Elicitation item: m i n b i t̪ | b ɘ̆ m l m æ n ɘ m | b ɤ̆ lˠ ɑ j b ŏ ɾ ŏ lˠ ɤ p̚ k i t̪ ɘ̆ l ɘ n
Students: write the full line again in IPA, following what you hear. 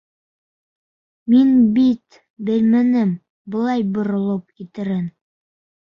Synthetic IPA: m i n b i t̪ | b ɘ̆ l m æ n ɘ m | b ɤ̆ lˠ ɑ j b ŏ ɾ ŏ lˠ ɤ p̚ k i t̪ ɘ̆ ɾ ɘ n